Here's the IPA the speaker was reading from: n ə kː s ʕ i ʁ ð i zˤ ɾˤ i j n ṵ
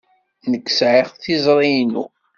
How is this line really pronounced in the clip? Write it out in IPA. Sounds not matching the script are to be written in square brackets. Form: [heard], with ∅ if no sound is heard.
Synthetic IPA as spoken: n ə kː s ʕ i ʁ [θ] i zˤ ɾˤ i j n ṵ

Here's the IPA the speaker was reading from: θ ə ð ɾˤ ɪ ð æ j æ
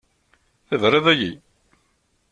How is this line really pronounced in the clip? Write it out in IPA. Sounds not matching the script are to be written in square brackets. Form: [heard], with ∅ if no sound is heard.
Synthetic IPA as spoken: θ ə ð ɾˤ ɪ ð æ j [i]

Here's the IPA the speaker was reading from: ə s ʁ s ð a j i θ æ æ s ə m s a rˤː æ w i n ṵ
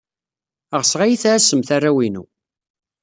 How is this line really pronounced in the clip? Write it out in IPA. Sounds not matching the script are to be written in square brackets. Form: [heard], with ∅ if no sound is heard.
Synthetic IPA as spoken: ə [∅] ʁ s [ʁ] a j i θ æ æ s ə m [θ] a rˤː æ w i n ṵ

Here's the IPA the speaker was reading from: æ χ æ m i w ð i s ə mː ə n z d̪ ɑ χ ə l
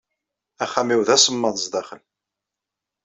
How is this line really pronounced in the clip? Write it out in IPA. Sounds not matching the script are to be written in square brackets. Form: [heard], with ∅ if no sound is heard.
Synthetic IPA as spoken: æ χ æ m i w ð [æ] s ə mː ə n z d̪ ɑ χ ə l

